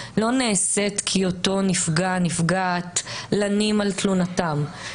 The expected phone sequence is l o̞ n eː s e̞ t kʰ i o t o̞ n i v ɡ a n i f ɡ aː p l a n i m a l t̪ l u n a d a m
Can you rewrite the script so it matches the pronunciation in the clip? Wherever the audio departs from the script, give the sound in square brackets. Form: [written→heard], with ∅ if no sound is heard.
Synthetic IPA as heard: l o̞ n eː s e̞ t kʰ i o t o̞ n i [v→f] ɡ a n i f ɡ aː [p→t] l a n i m a l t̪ l u n a [d→t] a m